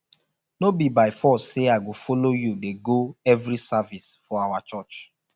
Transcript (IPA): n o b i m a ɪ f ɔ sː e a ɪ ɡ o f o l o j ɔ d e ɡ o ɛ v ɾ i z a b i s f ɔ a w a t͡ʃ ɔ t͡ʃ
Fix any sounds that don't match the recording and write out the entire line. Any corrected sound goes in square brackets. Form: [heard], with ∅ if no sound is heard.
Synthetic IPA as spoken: n o b i [b] a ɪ f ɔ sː e a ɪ ɡ o f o l o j [u] d e ɡ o ɛ v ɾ i [s] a [v] i s f ɔ a w a t͡ʃ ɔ t͡ʃ